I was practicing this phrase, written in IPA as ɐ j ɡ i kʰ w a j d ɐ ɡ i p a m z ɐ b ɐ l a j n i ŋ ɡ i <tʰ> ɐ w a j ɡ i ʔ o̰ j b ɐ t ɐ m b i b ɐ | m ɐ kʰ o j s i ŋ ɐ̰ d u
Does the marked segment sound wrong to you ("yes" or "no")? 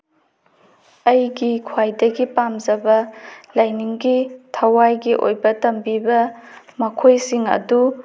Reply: no